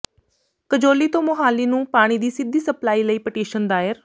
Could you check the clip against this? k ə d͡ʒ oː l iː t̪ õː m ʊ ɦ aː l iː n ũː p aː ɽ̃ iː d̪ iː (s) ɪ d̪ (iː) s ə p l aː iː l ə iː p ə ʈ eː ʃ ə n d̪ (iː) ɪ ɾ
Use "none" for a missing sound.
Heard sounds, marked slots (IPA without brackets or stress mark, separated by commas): s, iː, aː